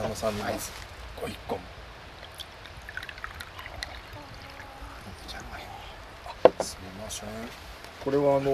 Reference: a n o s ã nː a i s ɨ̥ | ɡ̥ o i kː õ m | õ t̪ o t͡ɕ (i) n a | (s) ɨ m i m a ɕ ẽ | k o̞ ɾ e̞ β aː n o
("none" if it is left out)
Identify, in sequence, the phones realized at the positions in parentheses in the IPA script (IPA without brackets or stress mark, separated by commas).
a, s